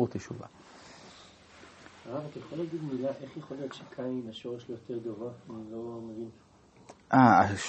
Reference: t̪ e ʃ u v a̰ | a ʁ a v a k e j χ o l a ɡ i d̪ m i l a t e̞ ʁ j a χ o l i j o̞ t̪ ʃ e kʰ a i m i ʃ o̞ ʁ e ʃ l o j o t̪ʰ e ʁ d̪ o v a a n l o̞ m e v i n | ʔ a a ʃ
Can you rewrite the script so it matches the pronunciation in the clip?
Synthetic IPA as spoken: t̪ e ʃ u v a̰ | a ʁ a v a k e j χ o l a ɡ i d̪ m i l a ʔ e̞ χ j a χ o l i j o̞ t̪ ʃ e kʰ a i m a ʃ o̞ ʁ e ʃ l o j o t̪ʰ e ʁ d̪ o v a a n l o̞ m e v i n | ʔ a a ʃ